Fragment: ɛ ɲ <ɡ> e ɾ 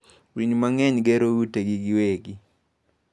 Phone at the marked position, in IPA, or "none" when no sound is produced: ɡ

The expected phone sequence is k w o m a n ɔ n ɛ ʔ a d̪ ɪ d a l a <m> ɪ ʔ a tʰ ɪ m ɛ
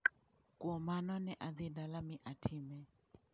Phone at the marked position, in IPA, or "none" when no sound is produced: m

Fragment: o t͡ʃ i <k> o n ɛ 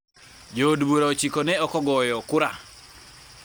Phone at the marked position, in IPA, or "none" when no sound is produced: k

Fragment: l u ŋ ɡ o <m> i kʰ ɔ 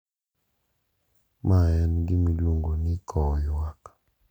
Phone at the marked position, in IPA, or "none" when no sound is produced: n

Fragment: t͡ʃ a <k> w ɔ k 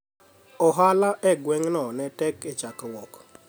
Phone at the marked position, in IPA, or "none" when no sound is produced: k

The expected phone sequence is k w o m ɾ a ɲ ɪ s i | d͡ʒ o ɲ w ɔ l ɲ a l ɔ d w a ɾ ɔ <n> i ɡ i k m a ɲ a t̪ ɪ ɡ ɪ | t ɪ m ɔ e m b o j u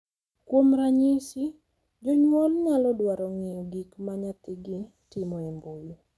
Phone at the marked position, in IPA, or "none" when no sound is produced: ŋ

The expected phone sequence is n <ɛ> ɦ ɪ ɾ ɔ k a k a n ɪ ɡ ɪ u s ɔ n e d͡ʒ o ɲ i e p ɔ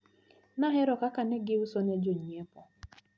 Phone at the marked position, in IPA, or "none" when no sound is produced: a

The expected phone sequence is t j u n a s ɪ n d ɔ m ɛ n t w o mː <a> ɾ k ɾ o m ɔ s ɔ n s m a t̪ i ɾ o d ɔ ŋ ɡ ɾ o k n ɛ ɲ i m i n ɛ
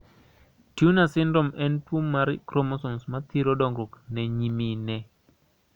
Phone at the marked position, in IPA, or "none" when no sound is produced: a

